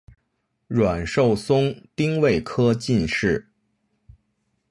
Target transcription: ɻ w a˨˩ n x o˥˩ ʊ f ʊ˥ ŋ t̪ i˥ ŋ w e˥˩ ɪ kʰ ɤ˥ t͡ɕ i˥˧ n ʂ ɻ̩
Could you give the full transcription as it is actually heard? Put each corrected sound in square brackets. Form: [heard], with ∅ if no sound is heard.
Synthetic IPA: ɻ w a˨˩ n [ʂ] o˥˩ ʊ [s] ʊ˥ ŋ t̪ i˥ ŋ w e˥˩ ɪ kʰ ɤ˥ t͡ɕ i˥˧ n ʂ ɻ̩